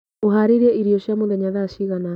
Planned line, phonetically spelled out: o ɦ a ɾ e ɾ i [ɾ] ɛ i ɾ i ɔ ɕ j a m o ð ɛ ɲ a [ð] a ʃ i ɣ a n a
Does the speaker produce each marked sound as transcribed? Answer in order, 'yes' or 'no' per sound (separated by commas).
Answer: no, yes